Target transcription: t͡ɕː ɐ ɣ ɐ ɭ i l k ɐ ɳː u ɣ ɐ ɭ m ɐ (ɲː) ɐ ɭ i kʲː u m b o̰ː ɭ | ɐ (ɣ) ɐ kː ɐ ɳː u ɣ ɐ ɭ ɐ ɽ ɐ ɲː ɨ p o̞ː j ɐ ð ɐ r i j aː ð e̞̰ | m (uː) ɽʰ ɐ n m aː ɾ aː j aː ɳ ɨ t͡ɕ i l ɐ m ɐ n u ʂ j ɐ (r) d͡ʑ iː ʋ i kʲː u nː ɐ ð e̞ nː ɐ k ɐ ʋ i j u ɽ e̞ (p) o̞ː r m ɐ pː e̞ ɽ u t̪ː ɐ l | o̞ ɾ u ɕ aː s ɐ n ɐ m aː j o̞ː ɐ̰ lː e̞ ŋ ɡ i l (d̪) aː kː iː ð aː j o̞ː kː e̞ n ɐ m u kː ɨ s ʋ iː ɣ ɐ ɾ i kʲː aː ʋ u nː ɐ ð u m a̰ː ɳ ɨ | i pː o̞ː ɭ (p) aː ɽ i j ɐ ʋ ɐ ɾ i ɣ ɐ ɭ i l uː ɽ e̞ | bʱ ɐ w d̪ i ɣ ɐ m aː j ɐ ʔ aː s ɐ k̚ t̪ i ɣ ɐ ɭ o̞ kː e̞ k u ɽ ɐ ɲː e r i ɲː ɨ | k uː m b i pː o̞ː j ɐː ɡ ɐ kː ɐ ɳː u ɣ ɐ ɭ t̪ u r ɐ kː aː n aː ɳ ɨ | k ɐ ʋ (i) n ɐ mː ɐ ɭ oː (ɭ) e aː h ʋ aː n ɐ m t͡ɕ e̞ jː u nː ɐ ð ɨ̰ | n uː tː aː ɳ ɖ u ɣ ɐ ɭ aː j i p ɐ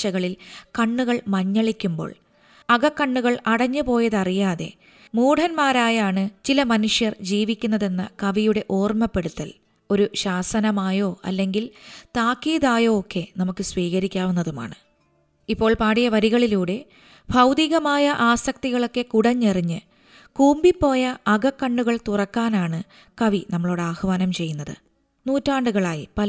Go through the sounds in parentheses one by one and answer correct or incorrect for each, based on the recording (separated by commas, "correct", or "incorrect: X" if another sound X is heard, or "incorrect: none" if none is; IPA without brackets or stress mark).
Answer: correct, correct, correct, correct, incorrect: ʔ, incorrect: t̪, correct, correct, incorrect: ɽ